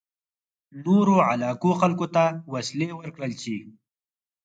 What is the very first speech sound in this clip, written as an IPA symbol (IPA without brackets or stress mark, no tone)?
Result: n